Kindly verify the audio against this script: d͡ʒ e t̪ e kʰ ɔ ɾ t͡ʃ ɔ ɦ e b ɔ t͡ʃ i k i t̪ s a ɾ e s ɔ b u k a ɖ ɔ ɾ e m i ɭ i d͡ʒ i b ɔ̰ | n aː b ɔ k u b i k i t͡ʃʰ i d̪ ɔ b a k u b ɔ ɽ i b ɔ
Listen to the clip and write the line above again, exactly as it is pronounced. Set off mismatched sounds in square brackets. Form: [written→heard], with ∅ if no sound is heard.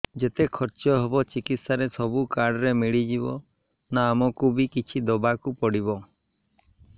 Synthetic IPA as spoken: d͡ʒ e t̪ e kʰ ɔ ɾ t͡ʃ ɔ ɦ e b ɔ t͡ʃ i k i t̪ s a ɾ e s ɔ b u k a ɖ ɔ ɾ e m i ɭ i d͡ʒ i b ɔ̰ | n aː [b→m] ɔ k u b i k i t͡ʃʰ i d̪ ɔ b a k u [b→p] ɔ ɽ i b ɔ